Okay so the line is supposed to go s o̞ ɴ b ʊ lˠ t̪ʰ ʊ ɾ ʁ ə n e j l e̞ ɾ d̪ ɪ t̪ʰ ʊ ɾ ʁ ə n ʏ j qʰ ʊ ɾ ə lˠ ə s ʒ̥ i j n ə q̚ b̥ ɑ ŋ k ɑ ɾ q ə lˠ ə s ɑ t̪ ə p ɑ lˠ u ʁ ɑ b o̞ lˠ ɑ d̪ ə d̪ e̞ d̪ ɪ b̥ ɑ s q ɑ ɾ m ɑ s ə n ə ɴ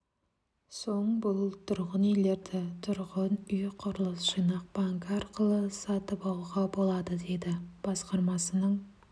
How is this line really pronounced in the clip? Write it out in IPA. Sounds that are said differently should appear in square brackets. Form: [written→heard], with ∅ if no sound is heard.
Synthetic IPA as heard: s o̞ ɴ b ʊ lˠ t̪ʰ ʊ ɾ ʁ ə n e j l e̞ ɾ d̪ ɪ t̪ʰ ʊ ɾ ʁ ə n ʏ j qʰ ʊ ɾ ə lˠ ə s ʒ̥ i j n [ə→ɑ] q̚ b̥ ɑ ŋ k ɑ ɾ q ə lˠ ə s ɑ t̪ ə p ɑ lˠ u ʁ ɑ b o̞ lˠ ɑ d̪ ə d̪ e̞ d̪ ɪ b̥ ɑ s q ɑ ɾ m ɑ s ə n ə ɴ